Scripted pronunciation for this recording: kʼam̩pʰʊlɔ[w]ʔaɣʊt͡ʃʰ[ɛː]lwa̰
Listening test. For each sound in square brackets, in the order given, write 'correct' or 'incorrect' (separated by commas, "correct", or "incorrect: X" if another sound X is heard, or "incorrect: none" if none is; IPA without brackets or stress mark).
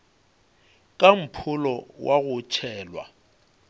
correct, correct